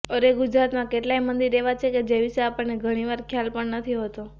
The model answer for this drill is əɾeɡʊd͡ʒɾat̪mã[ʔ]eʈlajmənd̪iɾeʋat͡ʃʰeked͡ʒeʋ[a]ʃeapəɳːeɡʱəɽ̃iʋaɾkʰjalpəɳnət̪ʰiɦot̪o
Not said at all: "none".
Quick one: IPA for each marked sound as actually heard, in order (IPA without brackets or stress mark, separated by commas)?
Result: k, i